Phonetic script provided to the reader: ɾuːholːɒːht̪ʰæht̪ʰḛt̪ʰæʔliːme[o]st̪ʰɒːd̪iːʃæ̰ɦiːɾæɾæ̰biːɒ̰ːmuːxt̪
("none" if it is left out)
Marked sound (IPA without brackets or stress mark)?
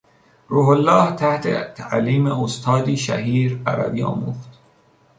o